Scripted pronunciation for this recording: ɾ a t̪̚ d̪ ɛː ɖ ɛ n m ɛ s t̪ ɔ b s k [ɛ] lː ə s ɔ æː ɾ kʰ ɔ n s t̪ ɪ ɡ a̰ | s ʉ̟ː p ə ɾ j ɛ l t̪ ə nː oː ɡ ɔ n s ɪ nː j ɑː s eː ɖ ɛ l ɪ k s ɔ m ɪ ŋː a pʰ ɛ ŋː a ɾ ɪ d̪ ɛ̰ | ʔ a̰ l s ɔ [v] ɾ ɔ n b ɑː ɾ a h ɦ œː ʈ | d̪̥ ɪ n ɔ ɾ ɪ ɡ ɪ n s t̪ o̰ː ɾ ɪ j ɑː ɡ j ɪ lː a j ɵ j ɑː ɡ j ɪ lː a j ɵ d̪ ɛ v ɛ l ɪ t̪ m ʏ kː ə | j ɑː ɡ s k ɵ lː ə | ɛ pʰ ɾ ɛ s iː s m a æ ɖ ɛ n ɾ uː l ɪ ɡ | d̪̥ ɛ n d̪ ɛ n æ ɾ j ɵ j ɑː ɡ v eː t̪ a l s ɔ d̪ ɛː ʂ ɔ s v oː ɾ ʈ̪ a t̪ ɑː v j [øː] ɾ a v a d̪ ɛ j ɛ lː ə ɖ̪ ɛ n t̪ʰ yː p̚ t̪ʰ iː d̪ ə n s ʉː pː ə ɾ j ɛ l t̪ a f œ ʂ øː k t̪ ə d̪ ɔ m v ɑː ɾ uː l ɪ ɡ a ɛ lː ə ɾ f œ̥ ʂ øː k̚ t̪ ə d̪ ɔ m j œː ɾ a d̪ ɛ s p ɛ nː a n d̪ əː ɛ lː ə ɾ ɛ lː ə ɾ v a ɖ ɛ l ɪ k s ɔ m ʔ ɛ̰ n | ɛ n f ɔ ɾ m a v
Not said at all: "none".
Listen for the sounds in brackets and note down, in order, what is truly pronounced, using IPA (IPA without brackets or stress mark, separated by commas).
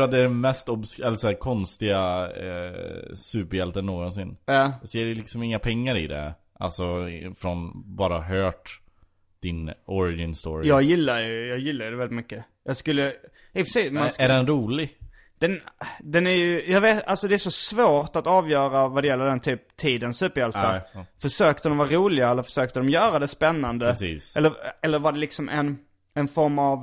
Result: ɛ, f, œː